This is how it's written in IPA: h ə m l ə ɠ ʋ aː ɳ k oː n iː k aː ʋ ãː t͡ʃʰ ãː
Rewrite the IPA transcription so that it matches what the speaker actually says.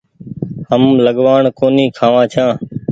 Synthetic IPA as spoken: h ə m l ə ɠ ʋ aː ɳ k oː n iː kʰ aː ʋ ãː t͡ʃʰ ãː